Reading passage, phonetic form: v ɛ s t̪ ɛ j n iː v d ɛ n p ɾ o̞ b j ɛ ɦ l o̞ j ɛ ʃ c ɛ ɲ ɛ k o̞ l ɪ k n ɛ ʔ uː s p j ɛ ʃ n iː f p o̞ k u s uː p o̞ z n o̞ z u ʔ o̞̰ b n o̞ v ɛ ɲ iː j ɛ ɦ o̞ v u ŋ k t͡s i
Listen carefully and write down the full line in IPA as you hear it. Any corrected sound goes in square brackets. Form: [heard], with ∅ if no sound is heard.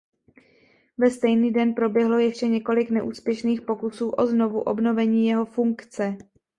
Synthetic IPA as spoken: v ɛ s t̪ ɛ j n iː [∅] d ɛ n p ɾ o̞ b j ɛ ɦ l o̞ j ɛ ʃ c ɛ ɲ ɛ k o̞ l ɪ k n ɛ ʔ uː s p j ɛ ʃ n iː [x] p o̞ k u s uː [ʔ] o̞ z n o̞ [v] u ʔ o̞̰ b n o̞ v ɛ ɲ iː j ɛ ɦ o̞ [f] u ŋ k t͡s [ɛ]

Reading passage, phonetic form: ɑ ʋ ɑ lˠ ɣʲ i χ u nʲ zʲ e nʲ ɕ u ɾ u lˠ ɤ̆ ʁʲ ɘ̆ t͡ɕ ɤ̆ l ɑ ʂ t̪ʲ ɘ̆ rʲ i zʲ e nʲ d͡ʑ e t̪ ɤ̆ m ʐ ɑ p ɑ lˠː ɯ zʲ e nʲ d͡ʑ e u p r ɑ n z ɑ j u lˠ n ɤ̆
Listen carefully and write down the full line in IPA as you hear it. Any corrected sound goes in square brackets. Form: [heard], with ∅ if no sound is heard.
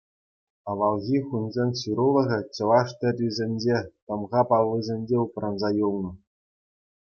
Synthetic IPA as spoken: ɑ ʋ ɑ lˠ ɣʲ i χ u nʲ zʲ e nʲ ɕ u ɾ u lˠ ɤ̆ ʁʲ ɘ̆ t͡ɕ ɤ̆ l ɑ ʂ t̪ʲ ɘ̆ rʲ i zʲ e nʲ d͡ʑ e t̪ ɤ̆ m [ʁ] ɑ p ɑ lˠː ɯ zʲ e nʲ d͡ʑ e u p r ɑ n z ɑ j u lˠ n ɤ̆

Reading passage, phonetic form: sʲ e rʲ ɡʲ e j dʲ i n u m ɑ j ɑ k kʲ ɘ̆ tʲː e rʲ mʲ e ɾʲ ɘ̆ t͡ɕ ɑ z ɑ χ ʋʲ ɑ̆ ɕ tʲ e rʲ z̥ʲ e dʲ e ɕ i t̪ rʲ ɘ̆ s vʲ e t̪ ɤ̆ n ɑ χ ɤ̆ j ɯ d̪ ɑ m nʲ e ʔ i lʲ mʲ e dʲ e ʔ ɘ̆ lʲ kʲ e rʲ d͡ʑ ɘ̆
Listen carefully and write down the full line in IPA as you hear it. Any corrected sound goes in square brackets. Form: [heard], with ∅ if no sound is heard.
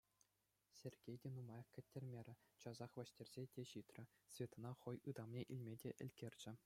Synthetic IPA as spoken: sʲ e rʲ ɡʲ e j dʲ [e] n u m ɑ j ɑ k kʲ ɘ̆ tʲː e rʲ mʲ e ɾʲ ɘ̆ t͡ɕ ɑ z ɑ χ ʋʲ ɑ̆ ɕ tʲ e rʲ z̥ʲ e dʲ e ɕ i t̪ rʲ ɘ̆ s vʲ e t̪ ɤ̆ n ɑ χ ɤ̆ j ɯ d̪ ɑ m nʲ e ʔ i lʲ mʲ e dʲ e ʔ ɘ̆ lʲ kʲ e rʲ d͡ʑ ɘ̆

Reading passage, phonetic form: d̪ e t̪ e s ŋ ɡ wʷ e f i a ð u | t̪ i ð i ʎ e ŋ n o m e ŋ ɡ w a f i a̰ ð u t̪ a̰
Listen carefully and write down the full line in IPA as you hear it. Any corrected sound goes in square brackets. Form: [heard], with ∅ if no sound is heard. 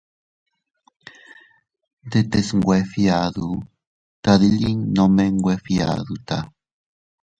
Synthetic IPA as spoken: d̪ e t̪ e s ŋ ɡ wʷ e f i a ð u | t̪ [a] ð i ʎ [i] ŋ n o m e ŋ ɡ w [e] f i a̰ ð u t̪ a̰

